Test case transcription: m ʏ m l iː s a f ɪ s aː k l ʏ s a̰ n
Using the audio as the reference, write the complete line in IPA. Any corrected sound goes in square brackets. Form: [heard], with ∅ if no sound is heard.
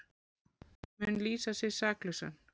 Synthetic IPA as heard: m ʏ [n] l iː s a [s] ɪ s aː k l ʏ s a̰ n